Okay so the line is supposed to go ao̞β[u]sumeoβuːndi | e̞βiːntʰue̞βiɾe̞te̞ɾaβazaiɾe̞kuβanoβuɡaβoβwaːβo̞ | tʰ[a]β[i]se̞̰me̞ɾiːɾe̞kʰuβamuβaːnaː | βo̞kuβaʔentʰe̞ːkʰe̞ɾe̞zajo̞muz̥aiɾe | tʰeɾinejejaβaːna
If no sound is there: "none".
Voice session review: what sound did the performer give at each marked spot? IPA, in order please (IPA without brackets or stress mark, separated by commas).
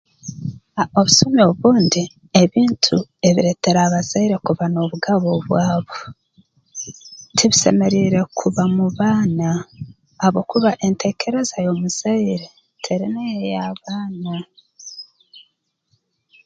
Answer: u, i, i